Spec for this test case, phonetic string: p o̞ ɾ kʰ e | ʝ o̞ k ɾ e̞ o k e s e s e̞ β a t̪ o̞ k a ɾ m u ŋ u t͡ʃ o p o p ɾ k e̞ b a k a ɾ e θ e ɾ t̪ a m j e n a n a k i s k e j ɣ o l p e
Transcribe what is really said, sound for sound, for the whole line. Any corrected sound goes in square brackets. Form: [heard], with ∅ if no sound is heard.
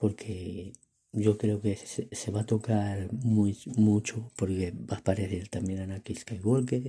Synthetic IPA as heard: p o̞ ɾ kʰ e | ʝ o̞ k ɾ e̞ o k e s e s e̞ β a t̪ o̞ k a ɾ m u [m] u t͡ʃ o p o [∅] ɾ k e̞ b a [p] a ɾ e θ e ɾ t̪ a m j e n a n a k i s k [a] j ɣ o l [k] e